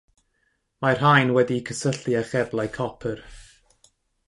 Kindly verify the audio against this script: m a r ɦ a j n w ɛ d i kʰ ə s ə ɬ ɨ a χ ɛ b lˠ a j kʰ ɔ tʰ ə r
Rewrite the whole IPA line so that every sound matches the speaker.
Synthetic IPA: m a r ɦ a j n w ɛ d i kʰ ə s ə ɬ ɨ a χ ɛ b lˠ a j kʰ ɔ pʰ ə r

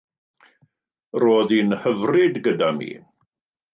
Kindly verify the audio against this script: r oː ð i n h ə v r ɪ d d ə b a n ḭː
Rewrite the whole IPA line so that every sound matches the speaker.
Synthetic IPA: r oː ð i n h ə v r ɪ d ɡ ə d a m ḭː

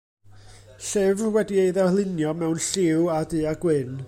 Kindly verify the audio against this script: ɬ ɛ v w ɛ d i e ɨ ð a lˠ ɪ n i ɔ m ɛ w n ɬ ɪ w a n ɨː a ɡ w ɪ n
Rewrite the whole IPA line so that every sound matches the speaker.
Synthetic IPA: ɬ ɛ v w ɛ d i e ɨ ð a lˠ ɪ n j ɔ m ɛ w n ɬ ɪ w a d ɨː a ɡ w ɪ n

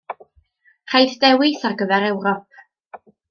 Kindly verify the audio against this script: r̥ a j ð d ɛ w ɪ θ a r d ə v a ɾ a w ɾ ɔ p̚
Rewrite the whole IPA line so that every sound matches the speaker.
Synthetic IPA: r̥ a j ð d ɛ w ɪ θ a r ɡ ə v ɛ ɾ ɛ w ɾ ɔ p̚

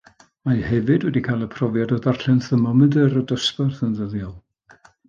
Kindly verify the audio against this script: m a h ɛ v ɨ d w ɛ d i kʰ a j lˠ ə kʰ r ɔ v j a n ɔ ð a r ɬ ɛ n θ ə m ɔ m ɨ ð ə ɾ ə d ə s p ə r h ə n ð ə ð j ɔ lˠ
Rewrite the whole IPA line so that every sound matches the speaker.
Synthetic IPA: m a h ɛ v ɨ d w ɛ d i kʰ a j lˠ ə pʰ r ɔ v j a d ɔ ð a r ɬ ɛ n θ ə m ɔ m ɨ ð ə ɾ ə d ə s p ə r θ ə n ð ə ð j ɔ lˠ

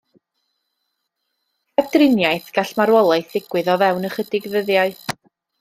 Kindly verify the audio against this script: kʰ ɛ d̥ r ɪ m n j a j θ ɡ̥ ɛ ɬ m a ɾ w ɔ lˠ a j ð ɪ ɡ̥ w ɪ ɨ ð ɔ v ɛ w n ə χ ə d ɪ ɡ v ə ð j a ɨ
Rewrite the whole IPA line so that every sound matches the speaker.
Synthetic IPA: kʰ ɛ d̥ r ɪ n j a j θ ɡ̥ a ɬ m a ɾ w ɔ lˠ a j θ ɪ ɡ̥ w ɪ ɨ ð ɔ v ɛ w n ə χ ə d ɪ ɡ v ə ð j a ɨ

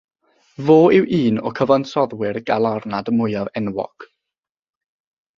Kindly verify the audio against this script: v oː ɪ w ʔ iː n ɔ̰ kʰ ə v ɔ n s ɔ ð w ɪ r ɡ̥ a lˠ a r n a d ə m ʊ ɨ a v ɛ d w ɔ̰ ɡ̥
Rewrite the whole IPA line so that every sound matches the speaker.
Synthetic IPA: v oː ɪ w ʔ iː n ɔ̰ kʰ ə v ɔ n s ɔ ð w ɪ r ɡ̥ a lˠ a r n a d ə m ʊ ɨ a v ɛ n w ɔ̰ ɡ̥

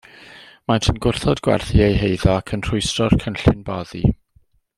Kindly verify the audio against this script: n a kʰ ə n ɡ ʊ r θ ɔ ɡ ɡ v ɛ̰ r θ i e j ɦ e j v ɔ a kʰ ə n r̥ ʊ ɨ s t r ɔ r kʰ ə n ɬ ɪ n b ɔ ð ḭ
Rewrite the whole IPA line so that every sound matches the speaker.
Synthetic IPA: m a tʰ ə n ɡ ʊ r θ ɔ d ɡ w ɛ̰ r θ i e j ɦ e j ð ɔ a kʰ ə n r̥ ʊ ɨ s t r ɔ r kʰ ə n ɬ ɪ n b ɔ ð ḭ

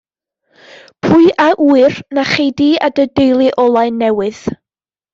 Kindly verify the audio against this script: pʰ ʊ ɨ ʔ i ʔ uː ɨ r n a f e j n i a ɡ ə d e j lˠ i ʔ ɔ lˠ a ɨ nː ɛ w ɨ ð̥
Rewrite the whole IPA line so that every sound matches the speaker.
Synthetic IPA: pʰ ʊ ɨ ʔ a ʔ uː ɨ r n a χ e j d i a d ə d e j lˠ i ʔ ɔ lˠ a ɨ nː ɛ w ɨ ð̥

